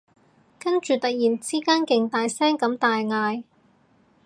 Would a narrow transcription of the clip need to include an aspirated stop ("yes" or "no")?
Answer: no